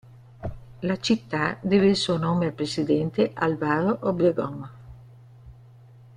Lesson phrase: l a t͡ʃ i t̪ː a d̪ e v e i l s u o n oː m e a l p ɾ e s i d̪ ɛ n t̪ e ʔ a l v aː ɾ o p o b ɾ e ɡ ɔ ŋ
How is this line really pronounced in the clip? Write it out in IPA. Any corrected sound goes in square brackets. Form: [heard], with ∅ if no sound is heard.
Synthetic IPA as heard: l a t͡ʃ i t̪ː a d̪ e v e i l s u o n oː m e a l p ɾ e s i d̪ ɛ n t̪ e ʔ a l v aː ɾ o [ʔ] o b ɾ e ɡ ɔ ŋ